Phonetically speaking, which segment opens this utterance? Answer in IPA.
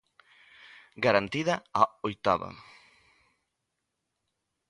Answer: ɡ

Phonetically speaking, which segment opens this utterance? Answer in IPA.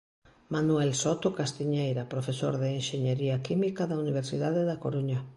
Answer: m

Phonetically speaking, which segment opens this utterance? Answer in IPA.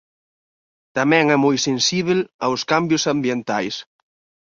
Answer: t̪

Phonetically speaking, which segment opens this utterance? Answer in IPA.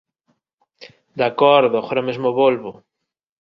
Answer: d̪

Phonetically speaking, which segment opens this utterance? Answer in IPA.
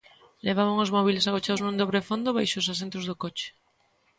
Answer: l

